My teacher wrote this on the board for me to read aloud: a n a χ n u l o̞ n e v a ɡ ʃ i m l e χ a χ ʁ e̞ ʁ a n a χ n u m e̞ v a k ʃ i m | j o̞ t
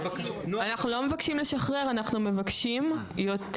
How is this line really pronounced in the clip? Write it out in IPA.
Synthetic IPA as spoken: a n a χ n u l o̞ m e v a k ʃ i m l e ʃ a χ ʁ e̞ ʁ a n a χ n u m e̞ v a k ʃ i m | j o̞ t